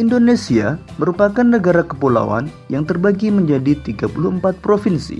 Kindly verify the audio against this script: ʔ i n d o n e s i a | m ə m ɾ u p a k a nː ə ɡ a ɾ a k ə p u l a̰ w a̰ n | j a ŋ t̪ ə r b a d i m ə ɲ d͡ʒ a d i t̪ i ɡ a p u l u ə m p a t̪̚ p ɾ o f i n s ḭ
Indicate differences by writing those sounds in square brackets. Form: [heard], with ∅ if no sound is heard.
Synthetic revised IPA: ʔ i n d o n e s i a | m ə [∅] ɾ u p a k a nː ə ɡ a ɾ a k ə p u l a̰ w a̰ n | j a ŋ t̪ ə r b a [ɡ] i m ə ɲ d͡ʒ a d i t̪ i ɡ a p u l u ə m p a t̪̚ p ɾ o f i n s ḭ